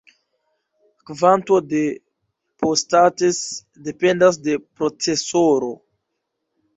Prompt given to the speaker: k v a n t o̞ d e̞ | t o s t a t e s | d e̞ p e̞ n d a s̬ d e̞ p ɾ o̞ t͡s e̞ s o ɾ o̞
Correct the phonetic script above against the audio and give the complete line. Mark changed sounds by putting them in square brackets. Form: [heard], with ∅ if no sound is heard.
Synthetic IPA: k v a n t o̞ d e̞ | [p] o s t a t e s | d e̞ p e̞ n d a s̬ d e̞ p ɾ o̞ t͡s e̞ s o ɾ o̞